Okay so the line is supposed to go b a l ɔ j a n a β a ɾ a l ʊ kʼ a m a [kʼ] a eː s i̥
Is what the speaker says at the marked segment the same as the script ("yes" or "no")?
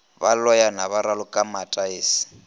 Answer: no